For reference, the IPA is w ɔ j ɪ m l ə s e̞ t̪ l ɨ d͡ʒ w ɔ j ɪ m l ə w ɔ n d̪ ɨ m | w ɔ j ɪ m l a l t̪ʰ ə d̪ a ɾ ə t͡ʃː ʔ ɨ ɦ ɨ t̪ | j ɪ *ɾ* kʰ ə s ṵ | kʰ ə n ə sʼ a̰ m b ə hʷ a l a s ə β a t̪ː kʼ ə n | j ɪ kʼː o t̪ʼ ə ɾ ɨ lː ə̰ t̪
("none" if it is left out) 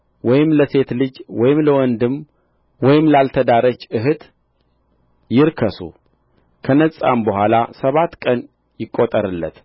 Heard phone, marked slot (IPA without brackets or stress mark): ɾ